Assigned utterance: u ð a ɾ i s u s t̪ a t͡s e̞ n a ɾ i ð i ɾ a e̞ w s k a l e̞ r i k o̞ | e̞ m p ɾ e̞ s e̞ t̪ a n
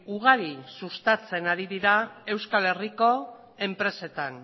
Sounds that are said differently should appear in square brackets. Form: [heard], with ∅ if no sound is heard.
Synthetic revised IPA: u [ɣ] a ɾ i s u s t̪ a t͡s e̞ n a ɾ i ð i ɾ a e̞ w s k a l e̞ r i k o̞ | e̞ m p ɾ e̞ s e̞ t̪ a n